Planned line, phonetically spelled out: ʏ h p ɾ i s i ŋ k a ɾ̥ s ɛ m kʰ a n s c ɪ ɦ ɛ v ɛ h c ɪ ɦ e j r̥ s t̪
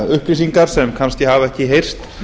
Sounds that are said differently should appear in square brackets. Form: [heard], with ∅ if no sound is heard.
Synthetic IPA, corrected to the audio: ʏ h p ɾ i s i ŋ k a ɾ̥ s ɛ m kʰ a n s c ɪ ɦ [a] v ɛ h c ɪ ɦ e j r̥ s t̪

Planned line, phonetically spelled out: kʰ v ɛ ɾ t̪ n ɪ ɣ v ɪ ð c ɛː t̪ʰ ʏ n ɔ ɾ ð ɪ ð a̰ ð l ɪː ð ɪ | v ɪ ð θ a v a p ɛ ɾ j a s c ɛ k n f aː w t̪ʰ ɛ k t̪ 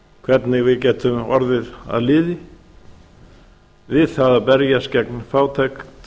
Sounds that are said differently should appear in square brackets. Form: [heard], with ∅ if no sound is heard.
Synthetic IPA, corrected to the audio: kʰ v ɛ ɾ t̪ n ɪ ɣ v ɪ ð c ɛː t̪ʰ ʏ [m] ɔ ɾ ð ɪ ð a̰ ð l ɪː ð ɪ | v ɪ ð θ a [ð] a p ɛ ɾ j a s c ɛ k n f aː w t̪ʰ ɛ k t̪

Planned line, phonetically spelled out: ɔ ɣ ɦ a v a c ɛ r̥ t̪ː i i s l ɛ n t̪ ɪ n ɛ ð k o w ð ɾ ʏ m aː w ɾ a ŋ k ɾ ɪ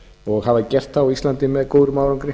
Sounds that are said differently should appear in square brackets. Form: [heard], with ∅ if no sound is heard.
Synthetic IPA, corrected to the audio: ɔ ɣ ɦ a v a c ɛ r̥ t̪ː [a] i s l [a] n t̪ ɪ [m] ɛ ð k o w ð ɾ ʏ m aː w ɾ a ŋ k ɾ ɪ

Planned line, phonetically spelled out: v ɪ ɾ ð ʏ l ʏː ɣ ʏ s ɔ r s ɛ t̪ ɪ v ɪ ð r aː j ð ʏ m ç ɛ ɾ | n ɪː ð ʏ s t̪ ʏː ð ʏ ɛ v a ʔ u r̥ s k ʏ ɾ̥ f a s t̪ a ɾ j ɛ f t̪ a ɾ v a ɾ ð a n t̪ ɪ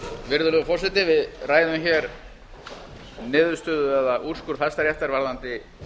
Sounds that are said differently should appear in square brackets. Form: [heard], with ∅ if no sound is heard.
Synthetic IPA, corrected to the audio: v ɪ ɾ ð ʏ l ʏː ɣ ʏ [f] ɔ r s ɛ t̪ ɪ v ɪ ð r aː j ð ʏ m ç ɛ ɾ | n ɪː ð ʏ s t̪ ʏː ð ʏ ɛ [ð] a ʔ u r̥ s k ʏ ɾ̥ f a s t̪ a ɾ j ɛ f t̪ a ɾ v a ɾ ð a n t̪ ɪ

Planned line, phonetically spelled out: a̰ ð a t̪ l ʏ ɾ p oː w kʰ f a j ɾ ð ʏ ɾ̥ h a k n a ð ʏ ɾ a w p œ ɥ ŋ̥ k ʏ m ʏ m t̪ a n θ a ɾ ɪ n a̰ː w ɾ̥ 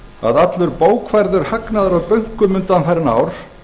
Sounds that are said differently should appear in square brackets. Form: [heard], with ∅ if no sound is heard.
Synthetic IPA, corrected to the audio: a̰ ð a t̪ l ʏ ɾ p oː w kʰ [v] a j ɾ ð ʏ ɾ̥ h a k n a ð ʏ ɾ a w p œ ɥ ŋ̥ k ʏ m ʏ [n] t̪ a n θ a ɾ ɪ n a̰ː w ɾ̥

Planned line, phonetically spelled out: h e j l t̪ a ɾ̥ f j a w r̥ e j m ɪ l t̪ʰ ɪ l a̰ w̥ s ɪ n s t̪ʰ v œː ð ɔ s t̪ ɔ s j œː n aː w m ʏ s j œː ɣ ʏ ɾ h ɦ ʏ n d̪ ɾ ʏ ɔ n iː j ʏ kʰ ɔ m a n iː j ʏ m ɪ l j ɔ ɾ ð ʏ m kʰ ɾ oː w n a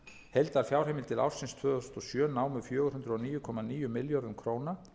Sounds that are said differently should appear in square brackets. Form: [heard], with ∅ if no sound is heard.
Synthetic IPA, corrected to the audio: h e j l t̪ a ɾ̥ f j a w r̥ e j m ɪ l t̪ʰ ɪ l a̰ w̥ s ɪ n s t̪ʰ v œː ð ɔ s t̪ ɔ s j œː n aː w m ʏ [f] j œː ɣ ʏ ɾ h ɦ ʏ n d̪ ɾ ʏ ɔ n iː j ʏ kʰ ɔ m a n iː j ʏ m ɪ l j ɔ ɾ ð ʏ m kʰ ɾ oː w n a

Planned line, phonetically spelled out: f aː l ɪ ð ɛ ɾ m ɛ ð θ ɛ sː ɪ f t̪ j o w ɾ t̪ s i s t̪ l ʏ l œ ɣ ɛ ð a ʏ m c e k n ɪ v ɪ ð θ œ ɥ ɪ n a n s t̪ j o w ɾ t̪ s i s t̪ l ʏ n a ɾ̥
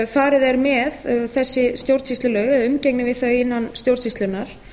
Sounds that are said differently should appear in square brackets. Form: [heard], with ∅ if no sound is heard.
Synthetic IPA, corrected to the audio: f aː [ɾ] ɪ ð ɛ ɾ m ɛ ð θ ɛ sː ɪ [s] t̪ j o w ɾ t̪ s i s t̪ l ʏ l œ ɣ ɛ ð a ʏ m c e k n ɪ v ɪ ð θ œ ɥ ɪ [nː] a n s t̪ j o w ɾ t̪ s i s t̪ l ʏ n a ɾ̥

